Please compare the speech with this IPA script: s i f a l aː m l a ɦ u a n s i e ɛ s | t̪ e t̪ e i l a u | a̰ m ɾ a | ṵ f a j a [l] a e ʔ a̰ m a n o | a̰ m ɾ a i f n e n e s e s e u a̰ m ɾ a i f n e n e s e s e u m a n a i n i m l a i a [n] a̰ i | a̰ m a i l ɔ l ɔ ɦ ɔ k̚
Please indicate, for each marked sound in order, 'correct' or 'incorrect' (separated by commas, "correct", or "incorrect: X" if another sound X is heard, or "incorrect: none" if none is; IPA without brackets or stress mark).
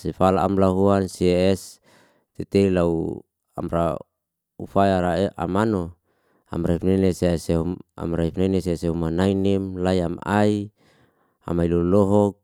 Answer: incorrect: ɾ, incorrect: m